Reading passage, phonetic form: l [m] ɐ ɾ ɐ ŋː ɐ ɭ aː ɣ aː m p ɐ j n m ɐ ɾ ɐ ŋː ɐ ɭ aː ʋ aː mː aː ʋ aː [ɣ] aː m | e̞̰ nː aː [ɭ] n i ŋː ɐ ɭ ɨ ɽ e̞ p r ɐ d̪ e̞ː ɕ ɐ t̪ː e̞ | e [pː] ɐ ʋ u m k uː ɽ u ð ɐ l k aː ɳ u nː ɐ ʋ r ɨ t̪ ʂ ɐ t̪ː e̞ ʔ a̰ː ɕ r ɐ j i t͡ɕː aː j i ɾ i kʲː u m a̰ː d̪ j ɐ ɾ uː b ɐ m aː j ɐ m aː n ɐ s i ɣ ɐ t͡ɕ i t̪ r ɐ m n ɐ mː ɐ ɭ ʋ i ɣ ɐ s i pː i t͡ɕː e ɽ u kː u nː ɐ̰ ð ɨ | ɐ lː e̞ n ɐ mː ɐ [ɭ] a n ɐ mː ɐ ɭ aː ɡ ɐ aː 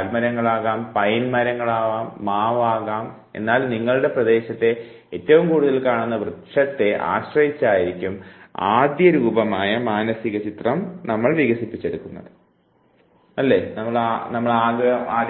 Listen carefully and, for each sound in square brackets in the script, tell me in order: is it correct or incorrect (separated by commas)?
correct, correct, incorrect, incorrect, correct